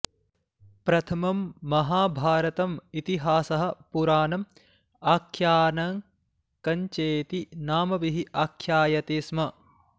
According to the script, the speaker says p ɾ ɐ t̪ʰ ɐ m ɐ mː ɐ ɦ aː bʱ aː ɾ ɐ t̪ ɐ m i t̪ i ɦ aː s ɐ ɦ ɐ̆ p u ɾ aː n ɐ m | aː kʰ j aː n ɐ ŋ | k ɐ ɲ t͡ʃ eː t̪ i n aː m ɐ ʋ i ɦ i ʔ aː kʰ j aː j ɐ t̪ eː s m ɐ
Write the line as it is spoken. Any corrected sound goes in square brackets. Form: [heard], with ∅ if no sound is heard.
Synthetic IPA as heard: p ɾ ɐ t̪ʰ ɐ m ɐ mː ɐ ɦ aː bʱ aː ɾ ɐ t̪ ɐ m i t̪ i ɦ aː s ɐ ɦ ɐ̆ p u ɾ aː n ɐ m | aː kʰ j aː n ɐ ŋ | k ɐ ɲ t͡ʃ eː t̪ i n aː m ɐ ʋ i ɦ i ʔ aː kʰ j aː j ɐ t̪ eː s m ɐ